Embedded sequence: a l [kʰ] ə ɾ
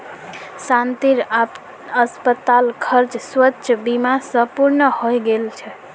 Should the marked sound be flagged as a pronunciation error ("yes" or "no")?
no